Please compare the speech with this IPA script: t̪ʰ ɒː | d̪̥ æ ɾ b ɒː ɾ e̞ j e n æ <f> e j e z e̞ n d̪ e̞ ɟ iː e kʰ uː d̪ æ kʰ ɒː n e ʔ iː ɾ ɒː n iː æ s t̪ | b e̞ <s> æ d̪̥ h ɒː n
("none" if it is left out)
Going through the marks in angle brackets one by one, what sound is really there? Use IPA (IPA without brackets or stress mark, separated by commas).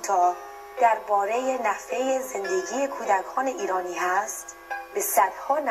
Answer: f, s